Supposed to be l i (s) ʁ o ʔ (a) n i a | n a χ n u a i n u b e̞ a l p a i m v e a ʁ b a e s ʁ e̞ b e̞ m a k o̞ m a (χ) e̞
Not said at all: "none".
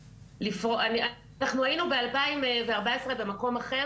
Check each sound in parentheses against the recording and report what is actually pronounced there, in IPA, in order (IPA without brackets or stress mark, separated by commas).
f, a, χ